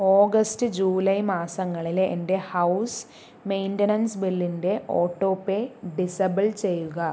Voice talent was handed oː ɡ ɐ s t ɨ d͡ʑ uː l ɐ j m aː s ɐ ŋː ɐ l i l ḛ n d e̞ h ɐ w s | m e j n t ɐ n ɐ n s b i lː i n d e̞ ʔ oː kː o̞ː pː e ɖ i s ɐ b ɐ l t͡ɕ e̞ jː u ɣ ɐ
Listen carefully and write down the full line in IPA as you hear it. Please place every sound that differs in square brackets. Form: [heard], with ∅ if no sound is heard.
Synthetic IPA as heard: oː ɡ ɐ s t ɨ d͡ʑ uː l ɐ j m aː s ɐ ŋː ɐ [ɭ] i l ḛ n d e̞ h ɐ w s | m e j n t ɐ n ɐ n s b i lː i n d e̞ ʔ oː [ʈː] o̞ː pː e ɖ i s ɐ b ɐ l t͡ɕ e̞ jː u ɣ ɐ